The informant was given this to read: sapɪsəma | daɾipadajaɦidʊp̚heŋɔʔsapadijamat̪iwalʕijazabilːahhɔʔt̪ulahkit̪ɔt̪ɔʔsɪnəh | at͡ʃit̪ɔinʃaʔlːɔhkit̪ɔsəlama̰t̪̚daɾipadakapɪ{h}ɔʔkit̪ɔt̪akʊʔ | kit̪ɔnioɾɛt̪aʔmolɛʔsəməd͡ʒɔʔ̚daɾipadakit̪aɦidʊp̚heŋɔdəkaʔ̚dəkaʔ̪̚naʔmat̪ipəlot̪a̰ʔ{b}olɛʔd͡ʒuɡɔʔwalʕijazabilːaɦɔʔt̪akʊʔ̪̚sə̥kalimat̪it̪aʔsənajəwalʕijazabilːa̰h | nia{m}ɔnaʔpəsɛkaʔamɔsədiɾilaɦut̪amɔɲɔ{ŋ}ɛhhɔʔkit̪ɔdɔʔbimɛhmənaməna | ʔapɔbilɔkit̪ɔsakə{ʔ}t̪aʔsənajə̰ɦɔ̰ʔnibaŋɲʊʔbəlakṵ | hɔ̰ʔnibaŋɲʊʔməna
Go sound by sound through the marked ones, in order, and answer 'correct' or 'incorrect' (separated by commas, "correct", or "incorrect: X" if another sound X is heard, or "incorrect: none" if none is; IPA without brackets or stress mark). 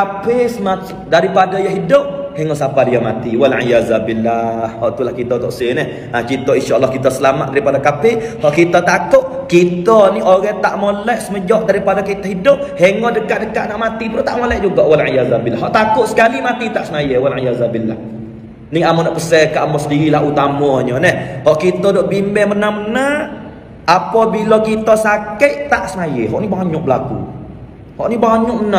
correct, incorrect: m, correct, incorrect: n, correct